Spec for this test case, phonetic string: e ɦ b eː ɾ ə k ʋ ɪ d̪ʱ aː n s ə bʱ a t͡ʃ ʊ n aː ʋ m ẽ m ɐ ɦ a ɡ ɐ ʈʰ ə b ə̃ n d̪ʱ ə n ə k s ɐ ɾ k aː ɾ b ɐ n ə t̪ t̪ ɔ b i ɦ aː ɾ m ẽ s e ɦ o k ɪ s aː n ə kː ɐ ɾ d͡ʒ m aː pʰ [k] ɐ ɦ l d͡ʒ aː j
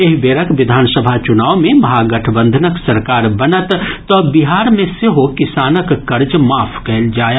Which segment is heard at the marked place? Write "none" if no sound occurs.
k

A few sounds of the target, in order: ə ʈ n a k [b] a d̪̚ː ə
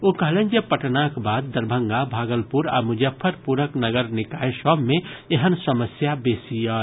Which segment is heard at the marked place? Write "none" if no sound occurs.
b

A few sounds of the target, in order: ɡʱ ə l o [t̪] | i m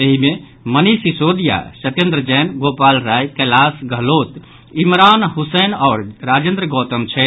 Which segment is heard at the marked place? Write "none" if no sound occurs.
t̪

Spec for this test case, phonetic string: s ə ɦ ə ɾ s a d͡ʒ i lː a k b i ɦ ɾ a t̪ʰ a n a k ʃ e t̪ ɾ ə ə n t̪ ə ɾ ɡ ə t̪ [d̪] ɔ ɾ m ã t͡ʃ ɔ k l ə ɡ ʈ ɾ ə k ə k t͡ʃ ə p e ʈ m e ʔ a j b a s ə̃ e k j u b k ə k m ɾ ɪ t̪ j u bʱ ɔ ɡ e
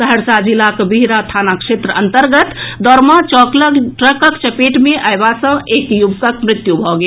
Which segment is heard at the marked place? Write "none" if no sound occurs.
d̪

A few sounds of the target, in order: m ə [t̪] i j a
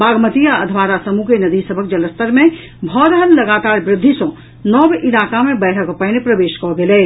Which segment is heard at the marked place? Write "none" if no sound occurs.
t̪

